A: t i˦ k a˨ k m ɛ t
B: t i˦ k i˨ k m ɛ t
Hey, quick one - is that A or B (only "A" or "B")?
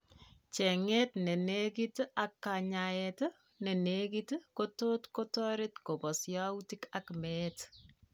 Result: A